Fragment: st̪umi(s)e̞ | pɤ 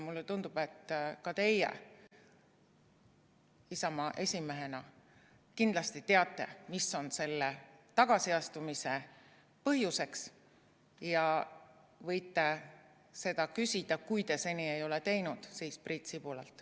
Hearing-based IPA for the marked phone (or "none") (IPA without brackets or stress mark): s